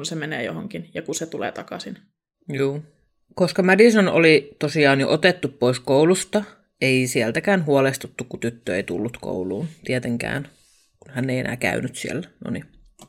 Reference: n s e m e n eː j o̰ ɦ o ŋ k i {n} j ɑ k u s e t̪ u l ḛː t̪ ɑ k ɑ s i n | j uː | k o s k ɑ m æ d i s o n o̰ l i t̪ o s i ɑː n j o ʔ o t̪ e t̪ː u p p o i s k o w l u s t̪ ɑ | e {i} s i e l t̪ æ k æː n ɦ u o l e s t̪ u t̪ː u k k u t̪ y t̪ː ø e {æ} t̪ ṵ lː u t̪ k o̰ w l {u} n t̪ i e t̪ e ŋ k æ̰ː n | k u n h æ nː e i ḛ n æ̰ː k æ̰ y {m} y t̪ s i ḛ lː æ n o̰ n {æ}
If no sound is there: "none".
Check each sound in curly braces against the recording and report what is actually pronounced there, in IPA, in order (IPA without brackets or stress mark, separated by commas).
n, i, i, uː, n, i